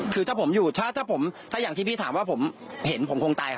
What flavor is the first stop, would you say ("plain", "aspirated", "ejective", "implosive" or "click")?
aspirated